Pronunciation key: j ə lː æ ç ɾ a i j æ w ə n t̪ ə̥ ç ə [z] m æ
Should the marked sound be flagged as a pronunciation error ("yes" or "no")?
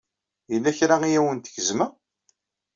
no